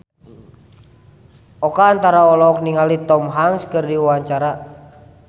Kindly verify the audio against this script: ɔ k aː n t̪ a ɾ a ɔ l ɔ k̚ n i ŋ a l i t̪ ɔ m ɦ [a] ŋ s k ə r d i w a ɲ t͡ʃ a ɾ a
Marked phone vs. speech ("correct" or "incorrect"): correct